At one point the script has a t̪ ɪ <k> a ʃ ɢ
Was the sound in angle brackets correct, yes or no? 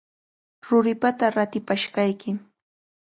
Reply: no